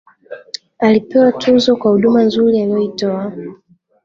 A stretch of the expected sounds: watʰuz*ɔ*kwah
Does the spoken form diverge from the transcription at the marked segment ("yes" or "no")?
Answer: no